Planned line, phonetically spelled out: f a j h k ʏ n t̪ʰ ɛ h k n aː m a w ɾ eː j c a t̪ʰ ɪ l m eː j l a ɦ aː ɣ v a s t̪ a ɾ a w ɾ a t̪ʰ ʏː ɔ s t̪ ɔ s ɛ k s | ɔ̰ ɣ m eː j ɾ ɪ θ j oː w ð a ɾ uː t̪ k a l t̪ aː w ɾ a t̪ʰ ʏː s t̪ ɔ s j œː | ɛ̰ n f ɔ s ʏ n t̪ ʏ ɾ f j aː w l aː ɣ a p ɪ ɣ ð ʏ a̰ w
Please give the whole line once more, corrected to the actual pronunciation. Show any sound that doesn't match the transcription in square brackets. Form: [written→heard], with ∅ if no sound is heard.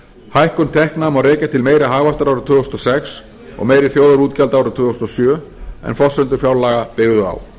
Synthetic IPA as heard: [f→h] a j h k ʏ n t̪ʰ ɛ h k n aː m a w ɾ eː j c a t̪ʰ ɪ l m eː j [l→ɾ] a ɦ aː ɣ v a s t̪ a ɾ a w ɾ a t̪ʰ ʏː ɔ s t̪ ɔ s ɛ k s | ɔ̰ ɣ m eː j ɾ ɪ θ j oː w ð a ɾ uː t̪ [k→c] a l t̪ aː w ɾ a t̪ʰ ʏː s t̪ ɔ s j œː | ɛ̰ n f ɔ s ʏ n t̪ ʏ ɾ f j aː w l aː ɣ a p ɪ ɣ ð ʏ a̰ w